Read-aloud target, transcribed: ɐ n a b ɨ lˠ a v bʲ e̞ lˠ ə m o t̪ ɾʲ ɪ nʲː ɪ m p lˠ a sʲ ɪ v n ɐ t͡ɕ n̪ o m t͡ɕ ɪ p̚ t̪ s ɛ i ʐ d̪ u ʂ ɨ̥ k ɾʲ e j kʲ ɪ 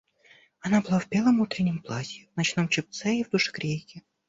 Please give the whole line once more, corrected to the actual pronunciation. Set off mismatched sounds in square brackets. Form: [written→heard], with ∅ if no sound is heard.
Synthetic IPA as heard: ɐ n a b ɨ lˠ a v bʲ e̞ lˠ ə m [o→u] t̪ ɾʲ ɪ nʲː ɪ m p lˠ a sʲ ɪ v n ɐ t͡ɕ n̪ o m t͡ɕ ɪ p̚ t̪ s ɛ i [ʐ→v] d̪ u ʂ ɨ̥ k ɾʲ e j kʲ ɪ